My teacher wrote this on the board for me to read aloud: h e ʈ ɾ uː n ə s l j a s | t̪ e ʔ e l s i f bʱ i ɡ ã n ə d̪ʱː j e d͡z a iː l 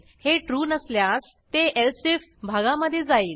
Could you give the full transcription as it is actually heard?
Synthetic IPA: h e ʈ ɾ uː n ə s l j a s | t̪ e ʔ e l s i f bʱ a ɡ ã m ə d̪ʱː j e d͡z a iː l